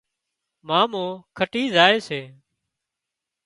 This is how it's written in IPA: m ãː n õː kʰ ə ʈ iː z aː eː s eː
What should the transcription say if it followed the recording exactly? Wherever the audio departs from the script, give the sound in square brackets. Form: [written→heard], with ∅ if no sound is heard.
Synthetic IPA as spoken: m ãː [n→m] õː kʰ ə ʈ iː z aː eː s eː